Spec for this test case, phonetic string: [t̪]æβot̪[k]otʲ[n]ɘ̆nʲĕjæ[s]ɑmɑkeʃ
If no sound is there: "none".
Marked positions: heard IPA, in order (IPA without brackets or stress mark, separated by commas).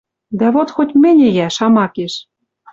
d̪, x, m, ʃ